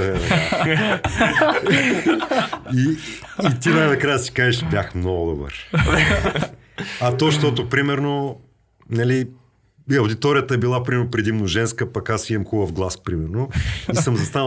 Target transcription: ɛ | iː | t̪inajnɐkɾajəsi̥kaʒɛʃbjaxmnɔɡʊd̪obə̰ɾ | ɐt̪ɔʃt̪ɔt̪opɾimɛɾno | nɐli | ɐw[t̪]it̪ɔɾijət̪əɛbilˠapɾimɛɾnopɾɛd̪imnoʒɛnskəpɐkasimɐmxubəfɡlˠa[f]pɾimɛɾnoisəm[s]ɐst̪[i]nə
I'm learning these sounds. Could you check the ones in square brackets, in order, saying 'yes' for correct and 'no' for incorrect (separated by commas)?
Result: no, no, no, no